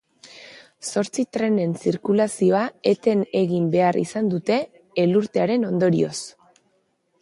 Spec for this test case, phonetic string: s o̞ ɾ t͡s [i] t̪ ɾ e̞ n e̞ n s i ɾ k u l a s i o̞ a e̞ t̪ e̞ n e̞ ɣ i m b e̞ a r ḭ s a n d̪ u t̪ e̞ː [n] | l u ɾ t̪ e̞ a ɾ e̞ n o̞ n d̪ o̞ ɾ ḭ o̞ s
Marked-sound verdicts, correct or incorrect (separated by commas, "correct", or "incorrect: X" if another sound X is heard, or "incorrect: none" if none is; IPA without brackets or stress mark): correct, incorrect: none